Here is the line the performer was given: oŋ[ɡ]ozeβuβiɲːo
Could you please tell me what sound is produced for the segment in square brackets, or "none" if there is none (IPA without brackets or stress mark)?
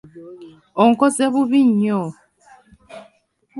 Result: k